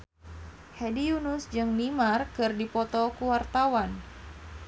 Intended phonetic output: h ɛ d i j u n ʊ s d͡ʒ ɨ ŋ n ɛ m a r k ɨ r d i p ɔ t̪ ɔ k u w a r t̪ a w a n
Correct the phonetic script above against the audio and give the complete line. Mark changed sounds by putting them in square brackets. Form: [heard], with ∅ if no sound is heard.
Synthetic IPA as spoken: h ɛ d i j u n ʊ s d͡ʒ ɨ ŋ n [i] m a r k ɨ r d i p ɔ t̪ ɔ k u w a r t̪ a w a n